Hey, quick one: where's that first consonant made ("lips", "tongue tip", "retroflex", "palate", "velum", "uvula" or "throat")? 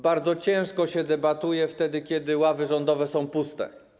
lips